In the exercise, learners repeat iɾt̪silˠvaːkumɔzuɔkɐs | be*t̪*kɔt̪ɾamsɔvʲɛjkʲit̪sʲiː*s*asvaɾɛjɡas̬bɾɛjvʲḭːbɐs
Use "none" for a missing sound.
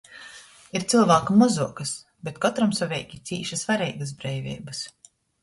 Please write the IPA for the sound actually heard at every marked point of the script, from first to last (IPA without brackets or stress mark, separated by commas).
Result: t̪, ʃ